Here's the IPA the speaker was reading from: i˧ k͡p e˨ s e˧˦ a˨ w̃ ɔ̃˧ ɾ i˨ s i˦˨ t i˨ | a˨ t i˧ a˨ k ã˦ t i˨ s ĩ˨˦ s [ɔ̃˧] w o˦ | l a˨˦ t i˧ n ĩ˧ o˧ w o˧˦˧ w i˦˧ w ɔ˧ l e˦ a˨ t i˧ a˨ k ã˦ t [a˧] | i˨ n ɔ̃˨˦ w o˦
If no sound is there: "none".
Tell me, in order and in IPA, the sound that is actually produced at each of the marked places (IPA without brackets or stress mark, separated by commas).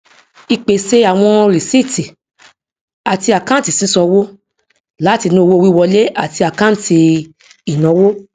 ɔ˧, i˧